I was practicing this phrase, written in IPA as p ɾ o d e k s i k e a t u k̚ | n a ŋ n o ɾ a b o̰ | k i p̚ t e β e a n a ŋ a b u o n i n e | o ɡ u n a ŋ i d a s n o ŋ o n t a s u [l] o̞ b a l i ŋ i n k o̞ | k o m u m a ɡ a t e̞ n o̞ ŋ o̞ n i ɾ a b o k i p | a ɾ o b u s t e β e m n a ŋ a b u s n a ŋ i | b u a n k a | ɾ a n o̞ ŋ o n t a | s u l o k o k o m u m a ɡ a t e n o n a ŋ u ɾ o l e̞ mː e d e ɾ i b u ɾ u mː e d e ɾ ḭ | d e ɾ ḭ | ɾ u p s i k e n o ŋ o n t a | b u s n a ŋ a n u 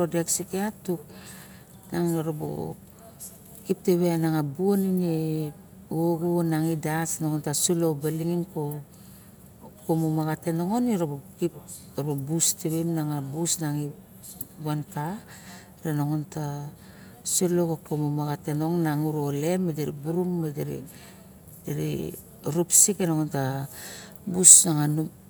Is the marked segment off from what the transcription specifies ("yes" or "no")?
no